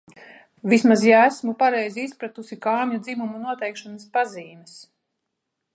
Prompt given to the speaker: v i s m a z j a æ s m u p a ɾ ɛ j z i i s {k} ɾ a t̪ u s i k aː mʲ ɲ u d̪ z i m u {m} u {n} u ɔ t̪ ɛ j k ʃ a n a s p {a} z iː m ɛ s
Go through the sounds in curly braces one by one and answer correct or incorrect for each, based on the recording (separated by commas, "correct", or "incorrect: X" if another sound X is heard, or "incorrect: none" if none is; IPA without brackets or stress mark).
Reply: incorrect: p, correct, correct, correct